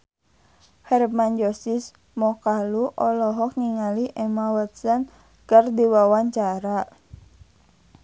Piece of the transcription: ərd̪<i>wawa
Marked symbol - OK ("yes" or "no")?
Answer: yes